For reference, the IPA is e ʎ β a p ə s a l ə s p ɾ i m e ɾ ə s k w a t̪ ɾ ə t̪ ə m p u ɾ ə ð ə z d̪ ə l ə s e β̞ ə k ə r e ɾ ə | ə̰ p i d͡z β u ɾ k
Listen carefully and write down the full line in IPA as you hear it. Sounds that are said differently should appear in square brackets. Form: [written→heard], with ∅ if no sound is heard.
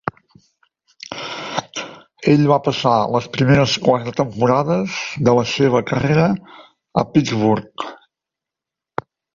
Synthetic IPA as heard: e ʎ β a p ə s a l ə s p ɾ i m e ɾ ə s k w a t̪ ɾ ə t̪ ə m p u ɾ [ə→a] ð ə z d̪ ə l ə s e β̞ ə k ə r e ɾ ə | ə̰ p i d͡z β u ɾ k